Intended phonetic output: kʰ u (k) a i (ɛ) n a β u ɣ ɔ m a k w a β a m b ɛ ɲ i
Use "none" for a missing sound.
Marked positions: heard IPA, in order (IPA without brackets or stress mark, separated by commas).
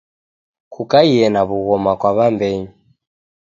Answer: k, ɛ